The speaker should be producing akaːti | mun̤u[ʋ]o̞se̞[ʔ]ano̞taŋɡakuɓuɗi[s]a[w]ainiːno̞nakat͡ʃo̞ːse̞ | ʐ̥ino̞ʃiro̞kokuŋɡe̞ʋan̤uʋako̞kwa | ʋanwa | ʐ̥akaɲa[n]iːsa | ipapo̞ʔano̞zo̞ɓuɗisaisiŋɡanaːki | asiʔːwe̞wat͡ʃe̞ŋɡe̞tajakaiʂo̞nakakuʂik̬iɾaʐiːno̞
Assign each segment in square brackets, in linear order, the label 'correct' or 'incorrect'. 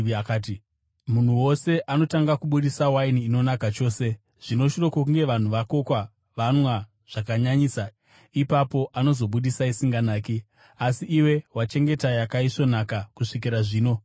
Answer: incorrect, correct, correct, correct, incorrect

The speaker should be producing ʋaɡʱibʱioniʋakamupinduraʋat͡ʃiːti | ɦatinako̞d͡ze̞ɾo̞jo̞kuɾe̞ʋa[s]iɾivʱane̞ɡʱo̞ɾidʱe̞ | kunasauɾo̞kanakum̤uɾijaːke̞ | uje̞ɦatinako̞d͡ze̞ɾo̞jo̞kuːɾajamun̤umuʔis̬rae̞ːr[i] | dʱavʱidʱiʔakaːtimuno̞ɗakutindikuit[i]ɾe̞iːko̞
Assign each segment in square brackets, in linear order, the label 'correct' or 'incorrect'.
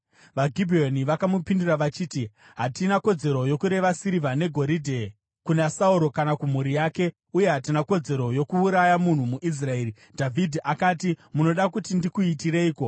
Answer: correct, correct, correct

